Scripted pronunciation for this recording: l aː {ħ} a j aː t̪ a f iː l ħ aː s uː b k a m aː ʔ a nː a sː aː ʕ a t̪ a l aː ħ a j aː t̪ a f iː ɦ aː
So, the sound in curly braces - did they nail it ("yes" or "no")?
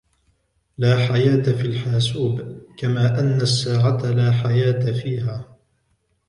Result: yes